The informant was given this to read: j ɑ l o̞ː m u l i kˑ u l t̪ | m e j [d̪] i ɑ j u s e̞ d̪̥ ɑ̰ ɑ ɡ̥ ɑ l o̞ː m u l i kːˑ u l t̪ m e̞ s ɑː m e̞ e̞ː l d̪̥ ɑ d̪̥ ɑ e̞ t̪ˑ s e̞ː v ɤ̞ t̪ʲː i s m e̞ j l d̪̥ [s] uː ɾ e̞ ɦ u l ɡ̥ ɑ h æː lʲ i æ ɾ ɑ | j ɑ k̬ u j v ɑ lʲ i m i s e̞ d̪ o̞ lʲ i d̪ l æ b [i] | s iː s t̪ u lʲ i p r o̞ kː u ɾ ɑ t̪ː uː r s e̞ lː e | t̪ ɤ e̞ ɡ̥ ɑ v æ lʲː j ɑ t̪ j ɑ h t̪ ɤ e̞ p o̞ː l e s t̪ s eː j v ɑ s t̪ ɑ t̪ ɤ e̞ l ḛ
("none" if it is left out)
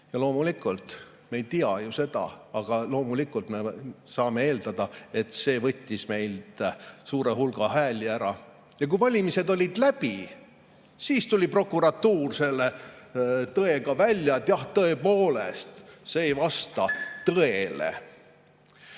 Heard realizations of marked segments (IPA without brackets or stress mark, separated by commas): t̪, s, i